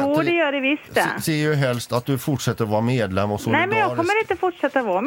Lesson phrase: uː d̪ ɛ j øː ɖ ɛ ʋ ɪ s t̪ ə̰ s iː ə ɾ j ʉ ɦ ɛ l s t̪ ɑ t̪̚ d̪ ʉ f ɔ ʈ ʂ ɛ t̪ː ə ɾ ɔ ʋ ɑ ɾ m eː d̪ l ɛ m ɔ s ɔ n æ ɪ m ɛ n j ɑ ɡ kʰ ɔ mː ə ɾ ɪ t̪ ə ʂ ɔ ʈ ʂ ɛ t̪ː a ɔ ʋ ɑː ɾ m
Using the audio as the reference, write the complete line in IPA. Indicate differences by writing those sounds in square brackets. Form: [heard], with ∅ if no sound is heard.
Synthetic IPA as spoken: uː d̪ ɛ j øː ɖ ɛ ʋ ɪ s t̪ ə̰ s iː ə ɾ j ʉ ɦ ɛ l s t̪ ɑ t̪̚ d̪ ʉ f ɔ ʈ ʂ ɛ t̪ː ə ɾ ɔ ʋ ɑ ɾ m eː d̪ l ɛ m ɔ s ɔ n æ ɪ m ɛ n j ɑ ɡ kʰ ɔ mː ə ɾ ɪ t̪ ə [f] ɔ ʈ ʂ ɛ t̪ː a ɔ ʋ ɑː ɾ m